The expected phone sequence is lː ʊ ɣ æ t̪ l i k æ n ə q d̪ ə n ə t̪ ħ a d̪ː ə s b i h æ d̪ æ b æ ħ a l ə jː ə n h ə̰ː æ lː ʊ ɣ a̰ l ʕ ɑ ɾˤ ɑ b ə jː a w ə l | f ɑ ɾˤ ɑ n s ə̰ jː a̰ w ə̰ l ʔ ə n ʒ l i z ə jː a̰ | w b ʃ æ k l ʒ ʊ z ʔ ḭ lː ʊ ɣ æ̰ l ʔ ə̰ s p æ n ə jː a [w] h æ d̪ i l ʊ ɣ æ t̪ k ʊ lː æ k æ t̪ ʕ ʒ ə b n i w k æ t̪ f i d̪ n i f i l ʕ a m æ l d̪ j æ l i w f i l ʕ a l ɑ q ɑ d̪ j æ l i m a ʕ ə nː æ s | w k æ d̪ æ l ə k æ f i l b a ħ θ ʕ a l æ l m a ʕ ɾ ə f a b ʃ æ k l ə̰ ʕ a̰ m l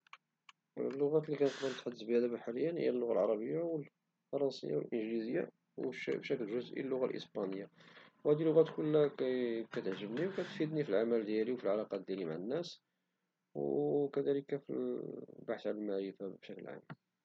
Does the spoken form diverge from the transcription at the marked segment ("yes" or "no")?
no